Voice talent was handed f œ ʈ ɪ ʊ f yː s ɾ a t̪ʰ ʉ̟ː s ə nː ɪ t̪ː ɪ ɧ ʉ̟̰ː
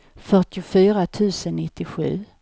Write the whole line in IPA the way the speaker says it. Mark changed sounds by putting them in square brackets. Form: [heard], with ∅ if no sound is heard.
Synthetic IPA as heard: f œ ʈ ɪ ʊ f yː [∅] ɾ a t̪ʰ ʉ̟ː s ə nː ɪ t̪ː ɪ ɧ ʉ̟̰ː